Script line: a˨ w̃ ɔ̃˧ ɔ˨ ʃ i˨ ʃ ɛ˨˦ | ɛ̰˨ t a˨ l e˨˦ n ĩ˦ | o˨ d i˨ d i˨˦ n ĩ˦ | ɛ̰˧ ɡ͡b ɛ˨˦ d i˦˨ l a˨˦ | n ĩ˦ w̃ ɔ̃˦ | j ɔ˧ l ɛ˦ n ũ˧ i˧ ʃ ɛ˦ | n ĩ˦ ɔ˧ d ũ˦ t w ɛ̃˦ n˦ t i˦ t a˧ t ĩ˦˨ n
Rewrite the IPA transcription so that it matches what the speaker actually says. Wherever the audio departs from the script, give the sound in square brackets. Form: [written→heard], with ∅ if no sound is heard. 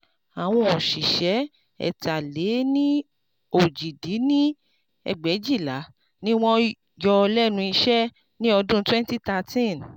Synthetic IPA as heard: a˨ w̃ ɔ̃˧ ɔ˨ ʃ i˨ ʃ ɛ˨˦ | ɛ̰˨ t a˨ l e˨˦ n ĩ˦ | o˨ [d→d͡ʒ] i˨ d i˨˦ n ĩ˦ | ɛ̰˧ ɡ͡b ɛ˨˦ [d→d͡ʒ] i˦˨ l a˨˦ | n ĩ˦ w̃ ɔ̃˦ | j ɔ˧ l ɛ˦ n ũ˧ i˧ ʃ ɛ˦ | n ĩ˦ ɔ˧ d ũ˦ t w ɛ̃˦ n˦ t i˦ t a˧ t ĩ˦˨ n